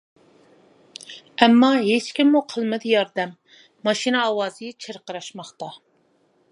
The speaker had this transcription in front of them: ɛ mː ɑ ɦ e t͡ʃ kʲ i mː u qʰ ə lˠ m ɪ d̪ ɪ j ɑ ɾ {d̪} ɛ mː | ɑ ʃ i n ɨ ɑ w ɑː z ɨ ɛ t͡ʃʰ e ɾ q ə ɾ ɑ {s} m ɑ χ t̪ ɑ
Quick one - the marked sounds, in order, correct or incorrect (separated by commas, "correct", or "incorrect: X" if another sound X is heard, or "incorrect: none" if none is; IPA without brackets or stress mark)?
correct, incorrect: ʃ